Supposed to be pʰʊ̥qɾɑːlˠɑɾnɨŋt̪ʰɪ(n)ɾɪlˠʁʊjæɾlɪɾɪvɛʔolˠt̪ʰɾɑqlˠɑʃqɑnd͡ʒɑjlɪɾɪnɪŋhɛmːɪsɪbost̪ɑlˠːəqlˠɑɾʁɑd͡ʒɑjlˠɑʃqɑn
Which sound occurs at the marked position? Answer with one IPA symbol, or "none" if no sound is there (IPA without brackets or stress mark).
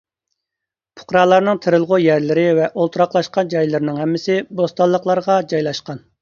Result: none